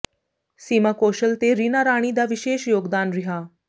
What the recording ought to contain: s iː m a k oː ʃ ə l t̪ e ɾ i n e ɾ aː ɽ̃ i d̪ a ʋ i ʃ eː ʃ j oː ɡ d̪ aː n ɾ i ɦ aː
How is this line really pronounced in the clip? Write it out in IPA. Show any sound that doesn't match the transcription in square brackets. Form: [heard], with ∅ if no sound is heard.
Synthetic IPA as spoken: s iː m a k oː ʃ ə l t̪ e ɾ i n [a] ɾ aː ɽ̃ i d̪ a ʋ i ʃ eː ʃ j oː ɡ d̪ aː n ɾ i ɦ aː